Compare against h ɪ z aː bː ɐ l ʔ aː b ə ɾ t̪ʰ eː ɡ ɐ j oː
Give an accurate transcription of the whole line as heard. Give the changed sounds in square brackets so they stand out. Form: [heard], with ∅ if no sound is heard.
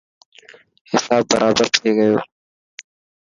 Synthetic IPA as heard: h ɪ [s] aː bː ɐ [ɾ] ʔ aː b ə ɾ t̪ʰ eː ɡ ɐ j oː